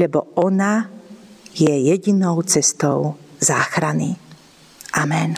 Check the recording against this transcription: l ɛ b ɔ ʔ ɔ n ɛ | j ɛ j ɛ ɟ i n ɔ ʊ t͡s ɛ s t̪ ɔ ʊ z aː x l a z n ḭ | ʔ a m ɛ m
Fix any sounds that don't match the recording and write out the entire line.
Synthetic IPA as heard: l ɛ b ɔ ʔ ɔ n a | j ɛ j ɛ ɟ i n ɔ ʊ t͡s ɛ s t̪ ɔ ʊ z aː x ɾ a n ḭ | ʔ a m ɛ n